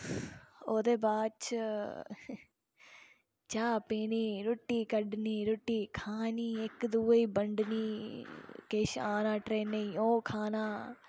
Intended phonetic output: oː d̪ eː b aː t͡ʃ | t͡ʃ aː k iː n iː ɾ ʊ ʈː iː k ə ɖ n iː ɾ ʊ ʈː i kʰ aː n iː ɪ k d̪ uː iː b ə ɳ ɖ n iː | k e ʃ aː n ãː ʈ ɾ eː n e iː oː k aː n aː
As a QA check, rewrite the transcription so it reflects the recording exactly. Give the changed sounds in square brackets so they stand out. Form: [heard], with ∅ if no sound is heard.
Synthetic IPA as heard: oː d̪ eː b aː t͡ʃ | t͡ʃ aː [p] iː n iː ɾ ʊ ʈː iː k ə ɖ n iː ɾ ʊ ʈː [iː] kʰ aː n iː ɪ k d̪ uː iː b ə ɳ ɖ n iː | k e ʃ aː n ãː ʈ ɾ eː n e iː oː [kʰ] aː n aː